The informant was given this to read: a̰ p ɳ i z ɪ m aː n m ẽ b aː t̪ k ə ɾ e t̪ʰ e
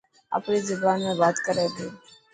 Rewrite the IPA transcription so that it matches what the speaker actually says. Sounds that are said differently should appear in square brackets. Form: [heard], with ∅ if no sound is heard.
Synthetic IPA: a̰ p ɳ i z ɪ [b] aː n m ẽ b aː t̪ k ə ɾ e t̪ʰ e